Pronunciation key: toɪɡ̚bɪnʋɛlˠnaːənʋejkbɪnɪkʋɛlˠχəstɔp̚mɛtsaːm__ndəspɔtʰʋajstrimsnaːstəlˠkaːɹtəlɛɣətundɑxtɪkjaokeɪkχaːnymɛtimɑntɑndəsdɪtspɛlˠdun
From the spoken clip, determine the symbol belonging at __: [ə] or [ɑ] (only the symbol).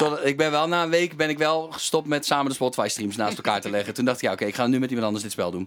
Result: ə